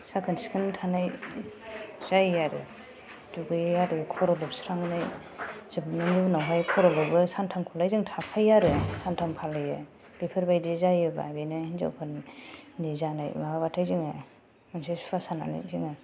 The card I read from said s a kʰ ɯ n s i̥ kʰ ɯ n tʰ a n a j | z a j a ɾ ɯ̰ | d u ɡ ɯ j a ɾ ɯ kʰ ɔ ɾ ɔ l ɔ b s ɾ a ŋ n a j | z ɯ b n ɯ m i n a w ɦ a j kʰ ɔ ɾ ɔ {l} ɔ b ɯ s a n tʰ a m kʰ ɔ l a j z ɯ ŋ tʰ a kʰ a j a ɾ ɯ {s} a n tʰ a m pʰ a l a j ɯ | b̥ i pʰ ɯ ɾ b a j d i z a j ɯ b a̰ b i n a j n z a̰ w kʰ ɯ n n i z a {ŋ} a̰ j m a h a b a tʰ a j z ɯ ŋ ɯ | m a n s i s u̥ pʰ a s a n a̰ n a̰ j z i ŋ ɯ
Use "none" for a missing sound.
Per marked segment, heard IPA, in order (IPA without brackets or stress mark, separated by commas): l, s, n